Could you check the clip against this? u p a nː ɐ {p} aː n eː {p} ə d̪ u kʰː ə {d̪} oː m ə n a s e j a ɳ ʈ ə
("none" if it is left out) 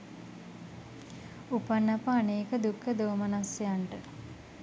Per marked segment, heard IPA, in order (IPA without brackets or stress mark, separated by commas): p, k, d̪